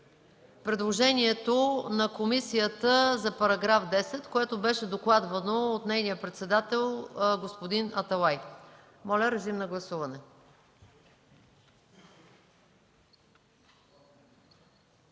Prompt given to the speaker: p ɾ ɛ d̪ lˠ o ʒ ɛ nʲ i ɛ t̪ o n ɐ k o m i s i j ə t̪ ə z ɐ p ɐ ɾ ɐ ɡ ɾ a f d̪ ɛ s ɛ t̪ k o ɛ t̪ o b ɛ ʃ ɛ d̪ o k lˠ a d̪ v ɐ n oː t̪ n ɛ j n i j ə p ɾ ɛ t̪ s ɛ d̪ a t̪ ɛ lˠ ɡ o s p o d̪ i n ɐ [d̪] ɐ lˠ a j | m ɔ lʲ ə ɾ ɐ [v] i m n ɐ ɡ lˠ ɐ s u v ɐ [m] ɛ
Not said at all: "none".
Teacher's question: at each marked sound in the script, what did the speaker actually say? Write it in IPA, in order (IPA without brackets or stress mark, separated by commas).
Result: t̪, z, n